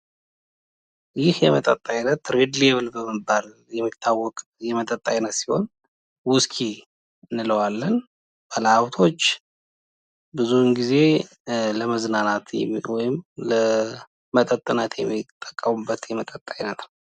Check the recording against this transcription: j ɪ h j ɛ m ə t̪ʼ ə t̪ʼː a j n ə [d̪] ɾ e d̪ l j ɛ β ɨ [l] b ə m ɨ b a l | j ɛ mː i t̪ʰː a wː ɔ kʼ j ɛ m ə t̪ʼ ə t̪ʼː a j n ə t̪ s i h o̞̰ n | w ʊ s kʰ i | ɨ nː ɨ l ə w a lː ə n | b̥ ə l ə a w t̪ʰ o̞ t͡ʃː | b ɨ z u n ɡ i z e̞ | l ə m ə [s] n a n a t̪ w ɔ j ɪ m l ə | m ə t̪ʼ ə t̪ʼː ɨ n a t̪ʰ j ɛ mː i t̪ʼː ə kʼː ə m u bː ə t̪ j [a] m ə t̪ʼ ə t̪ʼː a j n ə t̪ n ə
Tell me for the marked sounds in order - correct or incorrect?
incorrect: t̪, correct, incorrect: z, incorrect: ɛ

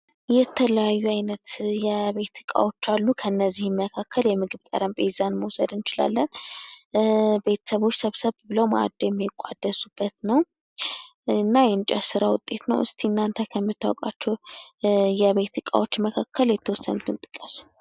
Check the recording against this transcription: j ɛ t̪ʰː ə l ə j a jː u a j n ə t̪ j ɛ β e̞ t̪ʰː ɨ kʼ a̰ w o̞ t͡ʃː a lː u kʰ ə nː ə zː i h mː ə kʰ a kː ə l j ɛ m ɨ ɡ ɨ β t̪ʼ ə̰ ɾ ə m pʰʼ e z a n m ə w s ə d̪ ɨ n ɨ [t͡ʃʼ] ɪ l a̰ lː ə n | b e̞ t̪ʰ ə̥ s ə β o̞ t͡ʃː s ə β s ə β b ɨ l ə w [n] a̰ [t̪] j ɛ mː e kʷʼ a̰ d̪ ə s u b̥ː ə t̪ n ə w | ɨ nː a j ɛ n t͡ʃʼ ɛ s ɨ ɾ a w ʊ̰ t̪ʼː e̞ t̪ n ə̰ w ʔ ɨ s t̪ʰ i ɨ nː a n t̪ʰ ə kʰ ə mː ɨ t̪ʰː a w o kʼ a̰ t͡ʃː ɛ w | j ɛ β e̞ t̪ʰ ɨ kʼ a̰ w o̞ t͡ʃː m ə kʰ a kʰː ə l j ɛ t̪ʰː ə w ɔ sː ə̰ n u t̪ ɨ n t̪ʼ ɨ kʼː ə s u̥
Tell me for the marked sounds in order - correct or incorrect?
incorrect: t͡ʃ, incorrect: m, incorrect: d̪

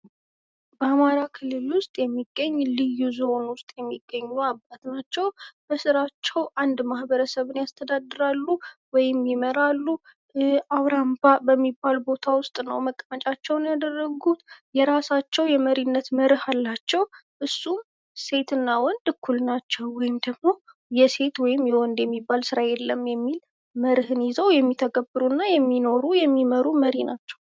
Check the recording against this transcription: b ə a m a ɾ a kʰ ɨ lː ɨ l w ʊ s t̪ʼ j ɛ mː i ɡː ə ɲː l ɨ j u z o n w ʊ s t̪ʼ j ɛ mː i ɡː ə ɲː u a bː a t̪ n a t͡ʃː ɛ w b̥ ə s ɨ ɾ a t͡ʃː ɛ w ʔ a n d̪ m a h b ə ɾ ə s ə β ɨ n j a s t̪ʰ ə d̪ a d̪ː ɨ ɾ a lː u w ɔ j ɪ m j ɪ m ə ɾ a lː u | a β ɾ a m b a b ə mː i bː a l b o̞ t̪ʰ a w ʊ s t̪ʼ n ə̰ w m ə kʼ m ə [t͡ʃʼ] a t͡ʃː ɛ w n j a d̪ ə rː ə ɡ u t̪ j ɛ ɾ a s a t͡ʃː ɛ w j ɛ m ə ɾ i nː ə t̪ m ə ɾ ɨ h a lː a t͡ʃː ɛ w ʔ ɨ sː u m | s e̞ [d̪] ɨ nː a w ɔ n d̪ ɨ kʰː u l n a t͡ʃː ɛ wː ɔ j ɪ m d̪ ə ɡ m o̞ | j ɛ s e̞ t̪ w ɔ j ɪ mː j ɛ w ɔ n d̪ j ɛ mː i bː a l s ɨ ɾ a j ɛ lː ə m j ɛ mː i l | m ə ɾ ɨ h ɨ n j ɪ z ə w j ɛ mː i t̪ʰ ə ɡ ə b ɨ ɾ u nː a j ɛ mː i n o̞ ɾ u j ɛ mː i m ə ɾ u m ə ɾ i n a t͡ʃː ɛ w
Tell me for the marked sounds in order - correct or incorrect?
correct, incorrect: t̪

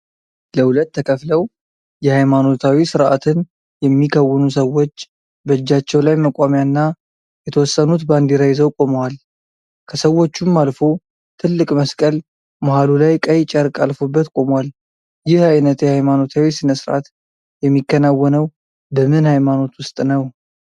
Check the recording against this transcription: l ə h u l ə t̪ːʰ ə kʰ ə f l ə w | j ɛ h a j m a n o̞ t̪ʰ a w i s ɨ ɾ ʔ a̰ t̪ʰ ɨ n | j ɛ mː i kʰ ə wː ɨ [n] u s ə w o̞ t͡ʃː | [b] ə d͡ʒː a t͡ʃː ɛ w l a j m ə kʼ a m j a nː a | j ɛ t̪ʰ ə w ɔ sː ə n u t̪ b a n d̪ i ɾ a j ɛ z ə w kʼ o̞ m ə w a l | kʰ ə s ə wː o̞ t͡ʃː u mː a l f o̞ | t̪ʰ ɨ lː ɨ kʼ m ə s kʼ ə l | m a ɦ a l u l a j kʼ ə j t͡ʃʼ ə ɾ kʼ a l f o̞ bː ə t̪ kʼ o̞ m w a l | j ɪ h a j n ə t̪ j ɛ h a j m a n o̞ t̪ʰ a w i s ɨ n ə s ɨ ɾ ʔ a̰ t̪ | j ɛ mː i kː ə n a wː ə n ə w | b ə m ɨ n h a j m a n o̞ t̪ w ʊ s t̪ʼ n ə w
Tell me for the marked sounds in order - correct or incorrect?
correct, correct

